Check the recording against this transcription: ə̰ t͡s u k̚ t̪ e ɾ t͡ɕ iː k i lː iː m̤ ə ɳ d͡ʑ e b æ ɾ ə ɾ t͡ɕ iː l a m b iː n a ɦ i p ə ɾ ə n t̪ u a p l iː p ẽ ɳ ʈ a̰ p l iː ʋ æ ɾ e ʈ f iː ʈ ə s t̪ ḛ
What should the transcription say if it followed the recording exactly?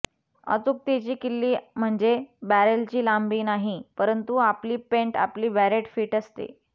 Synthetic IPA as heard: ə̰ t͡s u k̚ t̪ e t͡ɕ iː k i lː iː m̤ ə ɳ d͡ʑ e b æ ɾ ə l t͡ɕ iː l a m b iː n a ɦ i p ə ɾ ə n t̪ u a p l iː p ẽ ɳ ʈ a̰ p l iː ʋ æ ɾ e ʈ f iː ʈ ə s t̪ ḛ